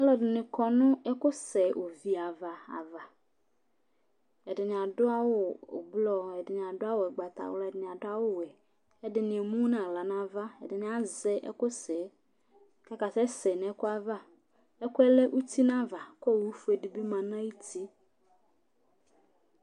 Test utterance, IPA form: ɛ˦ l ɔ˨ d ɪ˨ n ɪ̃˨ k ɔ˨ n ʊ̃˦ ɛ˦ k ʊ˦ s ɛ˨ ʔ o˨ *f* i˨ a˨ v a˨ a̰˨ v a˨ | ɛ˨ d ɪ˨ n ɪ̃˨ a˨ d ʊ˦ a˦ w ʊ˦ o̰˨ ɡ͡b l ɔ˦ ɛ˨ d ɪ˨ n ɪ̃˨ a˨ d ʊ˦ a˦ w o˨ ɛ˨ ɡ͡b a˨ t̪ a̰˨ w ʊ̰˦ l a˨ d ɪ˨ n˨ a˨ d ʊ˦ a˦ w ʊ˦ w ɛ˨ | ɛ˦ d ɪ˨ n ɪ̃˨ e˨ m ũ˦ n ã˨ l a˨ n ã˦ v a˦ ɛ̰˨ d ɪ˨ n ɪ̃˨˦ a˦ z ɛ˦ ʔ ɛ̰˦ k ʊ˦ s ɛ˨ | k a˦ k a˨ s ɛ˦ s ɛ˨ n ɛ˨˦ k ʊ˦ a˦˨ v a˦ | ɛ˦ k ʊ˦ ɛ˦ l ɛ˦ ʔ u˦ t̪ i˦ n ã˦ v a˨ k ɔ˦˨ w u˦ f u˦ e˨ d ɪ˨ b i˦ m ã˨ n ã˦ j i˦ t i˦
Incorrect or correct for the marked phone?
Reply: incorrect: v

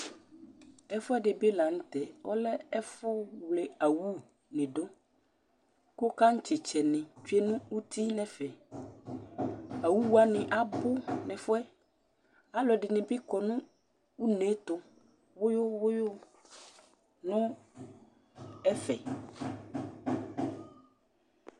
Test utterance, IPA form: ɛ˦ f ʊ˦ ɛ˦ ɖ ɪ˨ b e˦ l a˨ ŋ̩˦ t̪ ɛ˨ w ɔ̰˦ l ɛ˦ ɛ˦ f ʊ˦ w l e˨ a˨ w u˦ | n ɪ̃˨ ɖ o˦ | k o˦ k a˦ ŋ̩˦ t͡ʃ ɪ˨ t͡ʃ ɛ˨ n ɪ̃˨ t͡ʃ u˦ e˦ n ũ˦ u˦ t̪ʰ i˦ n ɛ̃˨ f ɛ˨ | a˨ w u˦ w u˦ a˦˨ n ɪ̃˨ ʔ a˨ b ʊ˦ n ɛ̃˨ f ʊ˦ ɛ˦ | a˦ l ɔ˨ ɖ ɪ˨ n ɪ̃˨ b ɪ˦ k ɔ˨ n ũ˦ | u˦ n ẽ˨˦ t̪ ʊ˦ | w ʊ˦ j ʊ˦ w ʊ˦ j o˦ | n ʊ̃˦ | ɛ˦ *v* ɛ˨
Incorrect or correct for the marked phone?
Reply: incorrect: f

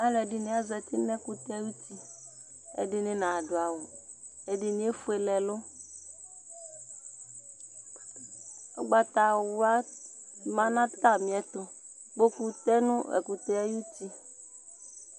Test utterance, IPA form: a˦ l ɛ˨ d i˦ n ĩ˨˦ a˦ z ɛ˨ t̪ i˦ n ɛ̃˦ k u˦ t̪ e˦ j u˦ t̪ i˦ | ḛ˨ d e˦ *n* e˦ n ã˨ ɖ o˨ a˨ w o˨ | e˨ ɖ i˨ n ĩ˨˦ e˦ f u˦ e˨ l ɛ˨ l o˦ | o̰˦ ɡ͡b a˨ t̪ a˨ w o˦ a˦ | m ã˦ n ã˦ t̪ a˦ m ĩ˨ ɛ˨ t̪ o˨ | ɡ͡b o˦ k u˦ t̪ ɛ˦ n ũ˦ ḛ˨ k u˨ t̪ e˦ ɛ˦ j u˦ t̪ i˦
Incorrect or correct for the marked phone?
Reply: correct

